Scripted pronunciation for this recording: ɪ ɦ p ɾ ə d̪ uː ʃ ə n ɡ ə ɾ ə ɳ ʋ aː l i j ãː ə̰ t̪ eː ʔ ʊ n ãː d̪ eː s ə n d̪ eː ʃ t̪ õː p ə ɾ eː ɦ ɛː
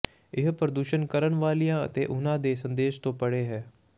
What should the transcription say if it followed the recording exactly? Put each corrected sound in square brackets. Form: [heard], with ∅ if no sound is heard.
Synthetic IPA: ɪ ɦ p ɾ ə d̪ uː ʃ ə n [k] ə ɾ ə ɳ ʋ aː l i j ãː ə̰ t̪ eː ʔ ʊ n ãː d̪ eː s ə n d̪ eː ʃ t̪ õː p ə [ɽ] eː ɦ ɛː